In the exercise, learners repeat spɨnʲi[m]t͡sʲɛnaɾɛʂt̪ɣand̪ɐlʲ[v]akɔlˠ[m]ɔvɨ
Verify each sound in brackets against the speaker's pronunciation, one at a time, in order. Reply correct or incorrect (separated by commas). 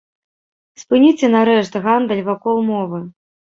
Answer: incorrect, correct, correct